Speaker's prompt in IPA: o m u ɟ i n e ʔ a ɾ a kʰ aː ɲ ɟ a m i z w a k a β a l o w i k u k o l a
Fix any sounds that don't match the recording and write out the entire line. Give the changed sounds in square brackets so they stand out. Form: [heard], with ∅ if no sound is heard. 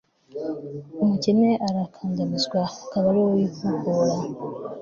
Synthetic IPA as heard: o m u [c] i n e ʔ a ɾ a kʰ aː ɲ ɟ a m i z w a k a β a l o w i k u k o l a